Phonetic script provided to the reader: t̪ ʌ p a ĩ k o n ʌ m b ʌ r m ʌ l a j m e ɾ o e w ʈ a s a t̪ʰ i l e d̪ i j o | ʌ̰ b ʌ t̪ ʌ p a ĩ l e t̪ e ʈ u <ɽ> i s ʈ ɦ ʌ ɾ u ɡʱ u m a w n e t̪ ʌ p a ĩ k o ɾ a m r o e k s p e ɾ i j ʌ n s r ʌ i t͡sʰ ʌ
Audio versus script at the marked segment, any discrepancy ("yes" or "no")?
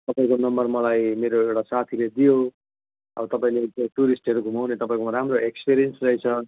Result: yes